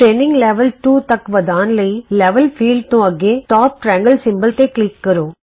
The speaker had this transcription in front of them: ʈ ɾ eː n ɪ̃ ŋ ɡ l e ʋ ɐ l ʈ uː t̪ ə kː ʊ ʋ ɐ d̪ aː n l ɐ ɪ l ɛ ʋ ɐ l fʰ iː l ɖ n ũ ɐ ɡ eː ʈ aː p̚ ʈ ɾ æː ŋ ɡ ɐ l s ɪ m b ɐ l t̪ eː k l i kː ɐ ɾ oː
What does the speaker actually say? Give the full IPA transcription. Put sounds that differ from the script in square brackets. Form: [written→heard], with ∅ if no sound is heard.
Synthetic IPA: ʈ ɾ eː n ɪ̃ ŋ ɡ l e ʋ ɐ l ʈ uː t̪ [ə→ɐ] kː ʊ ʋ ɐ d̪ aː n l ɐ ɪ l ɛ ʋ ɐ l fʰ iː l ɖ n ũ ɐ ɡ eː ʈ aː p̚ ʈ ɾ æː ŋ ɡ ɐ l s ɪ m b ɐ l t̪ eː k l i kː ɐ ɾ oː